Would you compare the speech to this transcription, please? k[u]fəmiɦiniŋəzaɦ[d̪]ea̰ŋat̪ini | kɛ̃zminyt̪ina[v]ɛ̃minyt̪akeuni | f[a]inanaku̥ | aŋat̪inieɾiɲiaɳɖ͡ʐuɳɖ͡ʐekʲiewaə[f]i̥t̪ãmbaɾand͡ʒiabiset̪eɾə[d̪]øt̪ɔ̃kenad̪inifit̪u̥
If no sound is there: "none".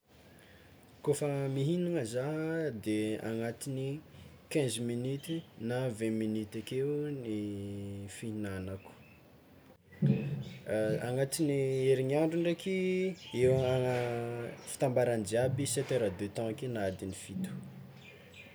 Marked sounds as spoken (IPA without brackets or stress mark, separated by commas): o, d̪, v, i, f, d̪